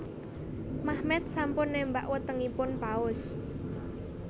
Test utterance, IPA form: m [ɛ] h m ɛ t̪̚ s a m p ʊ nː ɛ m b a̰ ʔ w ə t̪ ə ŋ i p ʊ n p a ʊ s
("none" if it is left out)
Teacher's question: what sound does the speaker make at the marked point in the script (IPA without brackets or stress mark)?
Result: a